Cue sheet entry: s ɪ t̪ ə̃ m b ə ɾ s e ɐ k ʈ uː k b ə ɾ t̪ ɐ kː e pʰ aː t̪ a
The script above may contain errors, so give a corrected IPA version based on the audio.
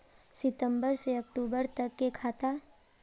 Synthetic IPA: s ɪ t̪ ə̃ m b ə ɾ s e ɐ k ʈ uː b ə ɾ t̪ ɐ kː e kʰ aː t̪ a